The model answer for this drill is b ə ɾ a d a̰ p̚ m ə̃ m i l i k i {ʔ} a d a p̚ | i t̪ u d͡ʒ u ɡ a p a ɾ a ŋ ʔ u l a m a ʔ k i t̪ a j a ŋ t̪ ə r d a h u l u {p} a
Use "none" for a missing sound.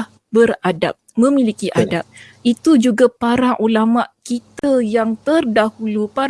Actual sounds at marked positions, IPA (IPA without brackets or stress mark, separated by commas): ʔ, p